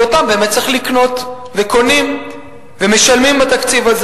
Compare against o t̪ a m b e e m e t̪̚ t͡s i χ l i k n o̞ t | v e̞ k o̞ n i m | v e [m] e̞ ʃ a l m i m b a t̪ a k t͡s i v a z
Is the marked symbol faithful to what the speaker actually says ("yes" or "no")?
yes